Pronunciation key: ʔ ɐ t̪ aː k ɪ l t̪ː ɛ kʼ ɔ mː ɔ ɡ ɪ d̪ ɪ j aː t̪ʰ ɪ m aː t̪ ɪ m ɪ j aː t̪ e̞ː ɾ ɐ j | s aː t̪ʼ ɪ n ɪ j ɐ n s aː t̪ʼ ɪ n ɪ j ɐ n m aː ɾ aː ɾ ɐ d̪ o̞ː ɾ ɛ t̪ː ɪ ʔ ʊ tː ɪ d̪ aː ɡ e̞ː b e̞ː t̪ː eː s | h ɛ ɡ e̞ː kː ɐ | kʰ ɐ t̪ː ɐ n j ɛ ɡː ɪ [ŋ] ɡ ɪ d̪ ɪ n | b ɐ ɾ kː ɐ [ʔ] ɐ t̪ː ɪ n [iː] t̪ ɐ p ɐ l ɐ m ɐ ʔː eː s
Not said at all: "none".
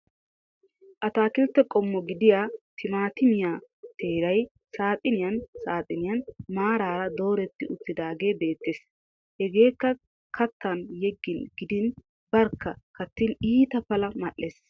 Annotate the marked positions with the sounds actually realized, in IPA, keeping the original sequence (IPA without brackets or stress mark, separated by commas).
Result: n, k, iː